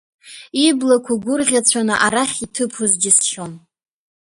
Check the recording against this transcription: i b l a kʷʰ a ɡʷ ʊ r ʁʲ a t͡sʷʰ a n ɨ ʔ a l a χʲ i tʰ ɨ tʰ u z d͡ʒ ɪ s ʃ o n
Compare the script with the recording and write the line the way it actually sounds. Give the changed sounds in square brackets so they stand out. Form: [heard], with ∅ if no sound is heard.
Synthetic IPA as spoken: i b l a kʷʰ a ɡʷ ʊ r ʁʲ a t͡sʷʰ a n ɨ ʔ a [ɾ] a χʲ i tʰ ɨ [pʰ] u z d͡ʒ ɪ s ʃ o n